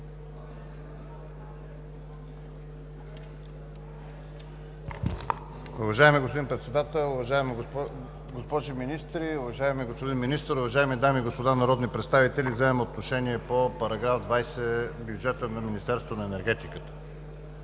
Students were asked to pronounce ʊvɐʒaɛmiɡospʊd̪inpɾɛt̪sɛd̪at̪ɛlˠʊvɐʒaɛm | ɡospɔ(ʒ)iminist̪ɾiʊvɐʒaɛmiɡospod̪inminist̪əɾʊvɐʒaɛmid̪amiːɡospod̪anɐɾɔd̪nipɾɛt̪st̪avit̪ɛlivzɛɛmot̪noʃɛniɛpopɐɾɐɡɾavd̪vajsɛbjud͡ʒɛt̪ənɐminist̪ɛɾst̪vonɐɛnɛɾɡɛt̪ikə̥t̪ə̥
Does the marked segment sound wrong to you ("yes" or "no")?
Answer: no